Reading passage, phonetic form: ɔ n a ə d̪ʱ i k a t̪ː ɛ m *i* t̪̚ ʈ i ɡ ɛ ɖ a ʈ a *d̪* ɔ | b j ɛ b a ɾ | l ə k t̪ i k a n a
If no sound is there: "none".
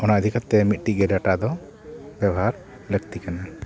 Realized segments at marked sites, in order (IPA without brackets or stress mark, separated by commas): i, d̪